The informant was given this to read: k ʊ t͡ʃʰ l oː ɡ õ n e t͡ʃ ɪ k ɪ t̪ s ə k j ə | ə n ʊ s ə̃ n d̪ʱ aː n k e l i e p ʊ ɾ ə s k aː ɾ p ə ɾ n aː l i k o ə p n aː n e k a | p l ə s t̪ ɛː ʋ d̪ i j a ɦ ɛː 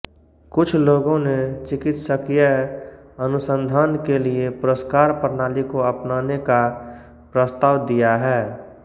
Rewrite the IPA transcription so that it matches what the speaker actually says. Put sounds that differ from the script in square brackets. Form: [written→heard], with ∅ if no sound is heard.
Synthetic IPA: k ʊ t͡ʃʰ l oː ɡ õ n e t͡ʃ ɪ k ɪ t̪ s ə k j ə | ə n ʊ s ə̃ n d̪ʱ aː n k e l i e p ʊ ɾ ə s k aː ɾ p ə ɾ n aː l i k o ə p n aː n e k a | p [l→ɾ] ə s t̪ [ɛː→aː] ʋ d̪ i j a ɦ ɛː